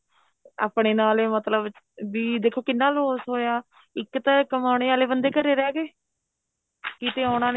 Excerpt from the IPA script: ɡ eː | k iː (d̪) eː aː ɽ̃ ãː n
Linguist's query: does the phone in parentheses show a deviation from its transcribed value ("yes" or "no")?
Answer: yes